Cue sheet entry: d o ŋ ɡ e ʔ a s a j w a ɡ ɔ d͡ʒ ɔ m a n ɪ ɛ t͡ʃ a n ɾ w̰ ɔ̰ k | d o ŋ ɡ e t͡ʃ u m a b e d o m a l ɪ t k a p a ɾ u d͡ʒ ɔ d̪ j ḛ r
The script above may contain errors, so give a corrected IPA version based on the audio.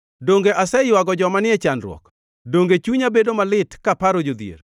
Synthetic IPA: d o ŋ ɡ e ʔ a s ɛ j w a ɡ ɔ d͡ʒ ɔ m a n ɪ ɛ t͡ʃ a n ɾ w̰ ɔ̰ k | d o ŋ ɡ e t͡ʃ u ɲ a b e d o m a l ɪ t k a p a ɾ o d͡ʒ o d̪ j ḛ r